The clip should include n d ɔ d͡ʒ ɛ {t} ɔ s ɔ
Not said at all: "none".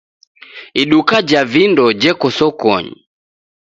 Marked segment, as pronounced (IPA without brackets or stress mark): k